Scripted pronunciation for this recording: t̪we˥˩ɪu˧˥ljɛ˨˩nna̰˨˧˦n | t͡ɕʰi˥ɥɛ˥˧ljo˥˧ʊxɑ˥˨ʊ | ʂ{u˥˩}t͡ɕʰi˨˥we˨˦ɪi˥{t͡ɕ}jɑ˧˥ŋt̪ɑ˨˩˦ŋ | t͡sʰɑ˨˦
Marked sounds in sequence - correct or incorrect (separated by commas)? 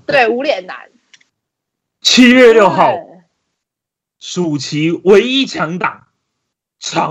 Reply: incorrect, incorrect